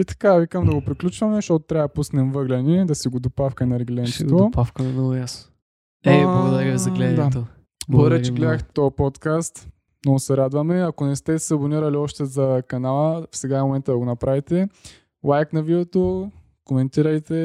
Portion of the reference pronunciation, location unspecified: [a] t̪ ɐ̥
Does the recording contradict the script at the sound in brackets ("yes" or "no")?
yes